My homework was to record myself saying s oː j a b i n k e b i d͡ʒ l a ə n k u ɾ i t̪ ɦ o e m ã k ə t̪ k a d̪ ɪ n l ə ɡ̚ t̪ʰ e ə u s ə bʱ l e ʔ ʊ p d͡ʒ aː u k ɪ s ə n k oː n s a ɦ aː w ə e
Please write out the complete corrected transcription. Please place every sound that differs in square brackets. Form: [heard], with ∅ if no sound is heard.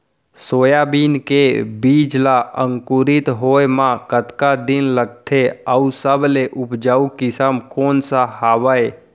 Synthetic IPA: s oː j a b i n k e b i d͡ʒ l a ə [ŋ] k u ɾ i t̪ ɦ o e m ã k ə t̪ k a d̪ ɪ n l ə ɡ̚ t̪ʰ e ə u s ə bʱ l e ʔ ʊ p d͡ʒ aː u k ɪ s ə [m] k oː n s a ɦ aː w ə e